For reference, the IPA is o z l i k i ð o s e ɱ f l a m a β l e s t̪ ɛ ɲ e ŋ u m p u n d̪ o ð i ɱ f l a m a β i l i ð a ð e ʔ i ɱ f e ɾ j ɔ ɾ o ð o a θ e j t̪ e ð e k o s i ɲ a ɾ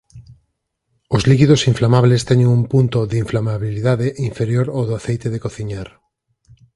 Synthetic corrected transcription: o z l i k i ð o s i ɱ f l a m a β l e s t̪ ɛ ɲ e ŋ u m p u n t̪ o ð i ɱ f l a m a β i l i ð a ð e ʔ i ɱ f e ɾ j o ɾ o ð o a θ e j t̪ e ð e k o θ i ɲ a ɾ